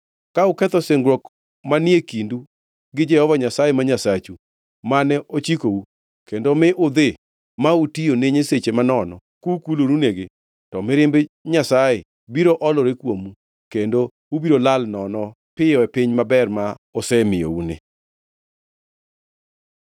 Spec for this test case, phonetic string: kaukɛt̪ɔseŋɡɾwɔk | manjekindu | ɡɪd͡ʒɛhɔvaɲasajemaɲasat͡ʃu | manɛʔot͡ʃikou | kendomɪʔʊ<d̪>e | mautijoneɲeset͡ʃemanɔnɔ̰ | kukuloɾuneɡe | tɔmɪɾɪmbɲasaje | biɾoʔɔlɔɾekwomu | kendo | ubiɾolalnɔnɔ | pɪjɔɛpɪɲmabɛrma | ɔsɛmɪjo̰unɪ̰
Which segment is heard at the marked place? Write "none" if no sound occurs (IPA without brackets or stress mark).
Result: d̪